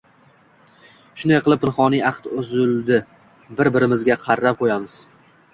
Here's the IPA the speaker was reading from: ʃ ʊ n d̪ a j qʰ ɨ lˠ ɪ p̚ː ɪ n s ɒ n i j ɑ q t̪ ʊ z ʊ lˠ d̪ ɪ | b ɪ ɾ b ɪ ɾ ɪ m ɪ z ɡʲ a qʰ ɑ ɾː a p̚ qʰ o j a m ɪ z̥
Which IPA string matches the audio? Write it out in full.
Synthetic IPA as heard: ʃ ʊ n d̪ a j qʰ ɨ lˠ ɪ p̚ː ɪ n χ ɒ n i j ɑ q t̪ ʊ z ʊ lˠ d̪ ɪ | b ɪ ɾ b ɪ ɾ ɪ m ɪ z ɡʲ a qʰ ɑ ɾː a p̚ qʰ o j a m ɪ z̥